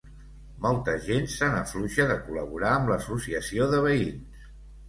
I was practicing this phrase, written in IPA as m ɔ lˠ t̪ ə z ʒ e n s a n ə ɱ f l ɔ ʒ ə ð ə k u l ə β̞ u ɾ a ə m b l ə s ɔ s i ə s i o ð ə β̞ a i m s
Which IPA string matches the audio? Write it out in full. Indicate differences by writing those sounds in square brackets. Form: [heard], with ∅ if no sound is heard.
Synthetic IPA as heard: m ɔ lˠ t̪ ə z ʒ e n s a n ə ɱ f l [u] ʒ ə ð ə k u l ə β̞ u ɾ a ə m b l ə s [u] s i ə s i o ð ə β̞ [ə] i [n] s